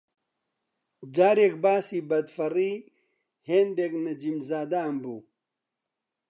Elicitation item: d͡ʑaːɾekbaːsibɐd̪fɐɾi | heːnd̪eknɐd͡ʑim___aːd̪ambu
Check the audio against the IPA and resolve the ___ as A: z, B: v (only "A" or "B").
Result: A